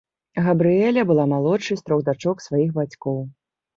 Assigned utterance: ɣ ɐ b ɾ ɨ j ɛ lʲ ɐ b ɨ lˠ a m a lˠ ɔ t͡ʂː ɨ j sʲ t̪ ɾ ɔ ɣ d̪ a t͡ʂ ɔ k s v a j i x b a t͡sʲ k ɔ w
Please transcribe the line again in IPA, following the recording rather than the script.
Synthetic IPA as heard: ɣ ɐ b ɾ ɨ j ɛ lʲ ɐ b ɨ lˠ a m a lˠ ɔ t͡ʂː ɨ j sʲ t̪ ɾ ɔ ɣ d̪ a t͡ʂ ɔ k s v a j i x b a t͡sʲ k ɔ w

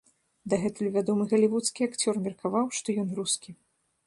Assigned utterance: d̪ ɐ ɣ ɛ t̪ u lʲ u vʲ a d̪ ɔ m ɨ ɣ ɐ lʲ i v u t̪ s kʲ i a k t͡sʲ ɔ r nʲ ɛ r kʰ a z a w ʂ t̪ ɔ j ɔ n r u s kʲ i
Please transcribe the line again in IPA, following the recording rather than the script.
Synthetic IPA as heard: d̪ ɐ ɣ ɛ t̪ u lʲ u vʲ a d̪ ɔ m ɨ ɣ ɐ lʲ i v u t̪ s kʲ i a k t͡sʲ ɔ r mʲ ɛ r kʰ a v a w ʂ t̪ ɔ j ɔ n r u s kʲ i

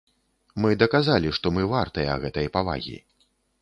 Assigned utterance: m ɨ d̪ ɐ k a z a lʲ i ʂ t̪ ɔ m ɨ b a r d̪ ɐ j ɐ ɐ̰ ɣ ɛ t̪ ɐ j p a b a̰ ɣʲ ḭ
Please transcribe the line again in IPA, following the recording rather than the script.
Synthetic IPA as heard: m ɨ d̪ ɐ k a z a lʲ i ʂ t̪ ɔ m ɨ v a r t̪ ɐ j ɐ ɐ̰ ɣ ɛ t̪ ɐ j p a v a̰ ɣʲ ḭ

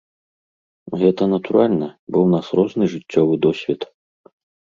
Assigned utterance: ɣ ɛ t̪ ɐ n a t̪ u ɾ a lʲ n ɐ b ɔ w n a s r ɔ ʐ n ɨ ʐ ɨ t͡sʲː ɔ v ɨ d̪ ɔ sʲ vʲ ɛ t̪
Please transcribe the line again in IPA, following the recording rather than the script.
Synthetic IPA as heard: ɣ ɛ t̪ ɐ n ɐ t̪ u ɾ a lʲ n ɐ b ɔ w n a s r ɔ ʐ n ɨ ʐ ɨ t͡sʲː ɔ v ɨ d̪ ɔ sʲ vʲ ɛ t̪

